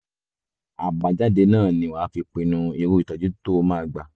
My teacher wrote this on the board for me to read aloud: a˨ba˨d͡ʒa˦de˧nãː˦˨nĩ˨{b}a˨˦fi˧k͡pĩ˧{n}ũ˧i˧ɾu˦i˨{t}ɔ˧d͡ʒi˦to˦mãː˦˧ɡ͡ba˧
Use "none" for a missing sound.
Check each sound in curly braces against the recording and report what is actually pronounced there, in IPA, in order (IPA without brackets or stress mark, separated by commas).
w, n, t